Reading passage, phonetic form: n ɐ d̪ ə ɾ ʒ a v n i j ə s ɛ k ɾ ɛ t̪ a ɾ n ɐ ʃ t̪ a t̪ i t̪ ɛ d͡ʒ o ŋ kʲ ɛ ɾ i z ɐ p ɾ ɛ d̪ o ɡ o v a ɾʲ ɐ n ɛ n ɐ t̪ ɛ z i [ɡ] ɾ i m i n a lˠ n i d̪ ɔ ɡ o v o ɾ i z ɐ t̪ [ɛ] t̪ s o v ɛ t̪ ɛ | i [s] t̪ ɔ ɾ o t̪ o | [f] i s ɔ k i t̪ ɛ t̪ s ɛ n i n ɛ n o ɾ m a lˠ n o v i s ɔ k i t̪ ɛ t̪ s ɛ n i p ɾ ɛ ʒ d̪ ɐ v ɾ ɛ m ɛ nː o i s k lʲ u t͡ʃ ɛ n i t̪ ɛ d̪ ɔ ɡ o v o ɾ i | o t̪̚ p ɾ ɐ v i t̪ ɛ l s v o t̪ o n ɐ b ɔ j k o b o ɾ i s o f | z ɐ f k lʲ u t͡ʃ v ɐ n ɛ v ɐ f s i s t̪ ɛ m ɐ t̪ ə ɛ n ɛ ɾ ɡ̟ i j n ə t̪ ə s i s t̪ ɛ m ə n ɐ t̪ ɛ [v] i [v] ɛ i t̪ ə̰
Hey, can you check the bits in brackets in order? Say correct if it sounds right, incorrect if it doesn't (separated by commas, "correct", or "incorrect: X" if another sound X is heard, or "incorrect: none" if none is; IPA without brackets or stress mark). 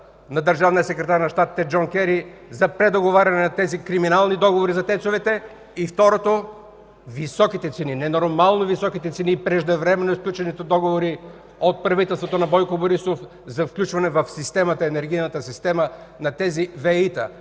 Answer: incorrect: k, correct, incorrect: f, incorrect: v, incorrect: z, correct